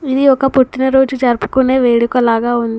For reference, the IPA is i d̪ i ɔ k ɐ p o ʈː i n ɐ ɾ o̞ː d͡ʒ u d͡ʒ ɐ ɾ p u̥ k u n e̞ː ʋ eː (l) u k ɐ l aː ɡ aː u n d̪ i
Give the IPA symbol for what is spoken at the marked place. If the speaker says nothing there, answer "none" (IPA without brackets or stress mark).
ɽ